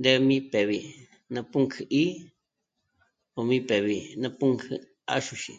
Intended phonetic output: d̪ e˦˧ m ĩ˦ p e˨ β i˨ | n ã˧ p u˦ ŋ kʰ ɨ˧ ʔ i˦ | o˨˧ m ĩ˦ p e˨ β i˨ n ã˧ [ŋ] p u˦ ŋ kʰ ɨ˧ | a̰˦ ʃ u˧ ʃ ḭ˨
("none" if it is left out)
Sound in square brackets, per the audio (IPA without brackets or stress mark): none